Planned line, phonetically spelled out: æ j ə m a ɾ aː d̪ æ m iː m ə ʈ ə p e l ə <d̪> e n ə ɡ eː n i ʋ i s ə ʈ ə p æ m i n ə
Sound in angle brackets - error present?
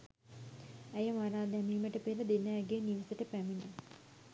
no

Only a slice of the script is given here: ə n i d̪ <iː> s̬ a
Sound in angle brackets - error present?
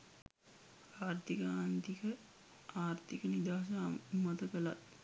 yes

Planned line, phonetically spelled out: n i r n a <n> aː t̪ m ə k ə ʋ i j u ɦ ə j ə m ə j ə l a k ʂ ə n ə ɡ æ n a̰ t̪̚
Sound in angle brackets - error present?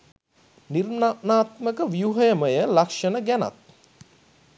no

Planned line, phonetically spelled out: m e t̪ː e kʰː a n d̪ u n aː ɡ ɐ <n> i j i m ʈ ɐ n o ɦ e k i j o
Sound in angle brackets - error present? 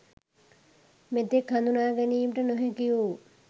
no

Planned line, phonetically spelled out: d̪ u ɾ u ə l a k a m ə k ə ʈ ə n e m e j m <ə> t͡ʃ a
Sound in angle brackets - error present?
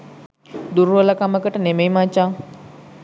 yes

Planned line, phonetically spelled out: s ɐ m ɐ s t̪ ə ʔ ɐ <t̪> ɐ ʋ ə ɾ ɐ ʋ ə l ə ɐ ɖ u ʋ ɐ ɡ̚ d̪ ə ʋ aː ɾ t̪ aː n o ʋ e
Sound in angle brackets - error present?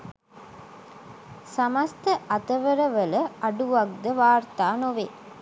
no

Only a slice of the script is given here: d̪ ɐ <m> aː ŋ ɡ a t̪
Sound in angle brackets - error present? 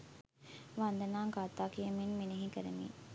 yes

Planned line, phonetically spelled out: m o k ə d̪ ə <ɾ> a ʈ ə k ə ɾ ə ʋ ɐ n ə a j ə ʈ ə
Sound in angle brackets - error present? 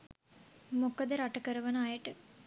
no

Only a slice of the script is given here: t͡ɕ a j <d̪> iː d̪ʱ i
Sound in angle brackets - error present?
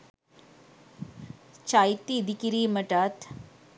yes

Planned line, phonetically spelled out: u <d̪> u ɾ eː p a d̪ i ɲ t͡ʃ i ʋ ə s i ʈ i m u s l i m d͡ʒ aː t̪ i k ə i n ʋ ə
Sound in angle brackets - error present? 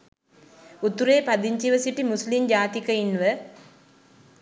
yes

